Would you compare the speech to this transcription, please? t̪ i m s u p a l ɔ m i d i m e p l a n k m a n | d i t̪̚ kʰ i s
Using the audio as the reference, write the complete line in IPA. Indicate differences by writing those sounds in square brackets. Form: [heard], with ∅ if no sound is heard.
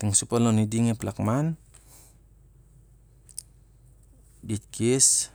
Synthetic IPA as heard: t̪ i [ŋ] s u p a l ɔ [n] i d i [ŋ] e p l a [∅] k m a n | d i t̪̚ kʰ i s